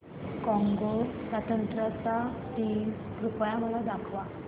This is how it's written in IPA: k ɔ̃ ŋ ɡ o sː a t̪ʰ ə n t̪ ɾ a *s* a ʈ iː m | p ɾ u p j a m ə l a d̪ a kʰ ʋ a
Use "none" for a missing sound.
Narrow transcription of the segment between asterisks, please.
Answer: t͡s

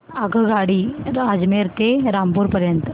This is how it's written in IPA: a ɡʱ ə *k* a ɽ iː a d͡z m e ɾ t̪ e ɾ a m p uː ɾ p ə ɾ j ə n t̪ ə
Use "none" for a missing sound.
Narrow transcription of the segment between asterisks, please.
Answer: ɡ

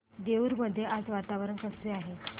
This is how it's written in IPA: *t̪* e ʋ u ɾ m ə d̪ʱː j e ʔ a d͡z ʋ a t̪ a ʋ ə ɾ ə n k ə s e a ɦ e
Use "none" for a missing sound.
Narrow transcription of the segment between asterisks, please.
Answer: d̪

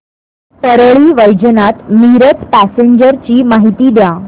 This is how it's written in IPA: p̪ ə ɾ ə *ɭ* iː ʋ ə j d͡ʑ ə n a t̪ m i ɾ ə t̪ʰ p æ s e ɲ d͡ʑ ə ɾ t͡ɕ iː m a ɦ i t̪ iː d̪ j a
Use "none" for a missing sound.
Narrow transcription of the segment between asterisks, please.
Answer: ɭ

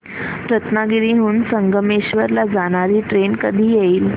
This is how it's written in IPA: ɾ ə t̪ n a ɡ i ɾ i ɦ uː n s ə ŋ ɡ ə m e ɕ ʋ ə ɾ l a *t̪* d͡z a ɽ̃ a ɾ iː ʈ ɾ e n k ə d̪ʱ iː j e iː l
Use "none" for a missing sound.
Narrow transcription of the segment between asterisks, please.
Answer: none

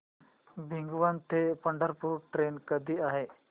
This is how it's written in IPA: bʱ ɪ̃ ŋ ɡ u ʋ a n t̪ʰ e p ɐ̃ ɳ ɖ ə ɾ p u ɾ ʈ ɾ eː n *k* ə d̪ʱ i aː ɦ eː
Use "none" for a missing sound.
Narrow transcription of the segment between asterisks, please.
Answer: k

